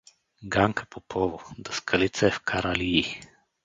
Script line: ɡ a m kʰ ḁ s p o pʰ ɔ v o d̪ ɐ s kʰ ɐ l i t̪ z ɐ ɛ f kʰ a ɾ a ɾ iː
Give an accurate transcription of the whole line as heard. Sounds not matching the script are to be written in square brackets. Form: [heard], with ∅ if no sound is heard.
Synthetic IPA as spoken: ɡ a [ŋ] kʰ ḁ [∅] p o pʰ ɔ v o d̪ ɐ s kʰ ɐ l i t̪ [s] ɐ ɛ f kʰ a ɾ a [l] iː